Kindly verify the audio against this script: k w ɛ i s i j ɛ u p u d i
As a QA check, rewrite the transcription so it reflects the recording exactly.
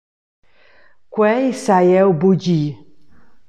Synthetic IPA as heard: k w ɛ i s a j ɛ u b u d͡ʒ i